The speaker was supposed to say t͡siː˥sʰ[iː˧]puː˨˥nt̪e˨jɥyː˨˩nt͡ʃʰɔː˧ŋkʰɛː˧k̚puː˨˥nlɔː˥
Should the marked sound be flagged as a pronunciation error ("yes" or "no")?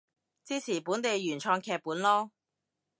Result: yes